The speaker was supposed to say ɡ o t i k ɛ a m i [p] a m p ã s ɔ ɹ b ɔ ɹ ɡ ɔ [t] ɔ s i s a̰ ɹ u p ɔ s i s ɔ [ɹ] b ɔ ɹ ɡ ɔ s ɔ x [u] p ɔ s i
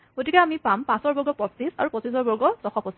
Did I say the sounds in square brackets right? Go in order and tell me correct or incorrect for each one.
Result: correct, incorrect, correct, incorrect

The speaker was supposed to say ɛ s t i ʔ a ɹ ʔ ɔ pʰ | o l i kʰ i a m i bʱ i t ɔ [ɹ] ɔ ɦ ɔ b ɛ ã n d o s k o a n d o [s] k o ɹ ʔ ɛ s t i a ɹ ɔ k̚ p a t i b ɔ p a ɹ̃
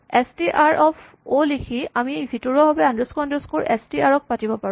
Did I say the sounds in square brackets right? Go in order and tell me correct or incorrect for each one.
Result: correct, correct

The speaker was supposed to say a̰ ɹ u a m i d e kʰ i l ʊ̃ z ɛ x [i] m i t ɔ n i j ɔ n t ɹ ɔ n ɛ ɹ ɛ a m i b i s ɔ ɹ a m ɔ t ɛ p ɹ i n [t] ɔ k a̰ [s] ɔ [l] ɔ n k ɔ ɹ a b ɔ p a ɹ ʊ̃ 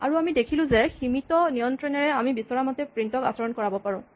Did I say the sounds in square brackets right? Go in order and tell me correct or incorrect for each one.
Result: correct, correct, correct, incorrect

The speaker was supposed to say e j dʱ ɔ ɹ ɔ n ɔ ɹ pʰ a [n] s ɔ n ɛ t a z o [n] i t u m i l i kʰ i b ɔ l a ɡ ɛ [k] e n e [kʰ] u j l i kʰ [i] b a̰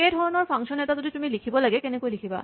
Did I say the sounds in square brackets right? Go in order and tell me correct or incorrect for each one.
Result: incorrect, incorrect, correct, incorrect, correct

